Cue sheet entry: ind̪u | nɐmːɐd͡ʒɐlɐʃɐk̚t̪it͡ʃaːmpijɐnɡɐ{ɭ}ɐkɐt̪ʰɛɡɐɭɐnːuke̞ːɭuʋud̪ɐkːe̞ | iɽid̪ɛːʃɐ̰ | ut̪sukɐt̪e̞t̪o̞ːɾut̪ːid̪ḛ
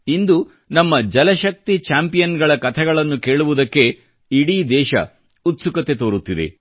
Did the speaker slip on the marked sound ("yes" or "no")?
no